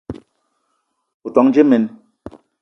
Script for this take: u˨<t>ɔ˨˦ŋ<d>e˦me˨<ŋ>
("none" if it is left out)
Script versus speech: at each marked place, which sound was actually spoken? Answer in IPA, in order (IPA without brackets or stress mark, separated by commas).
t, d͡ʒ, n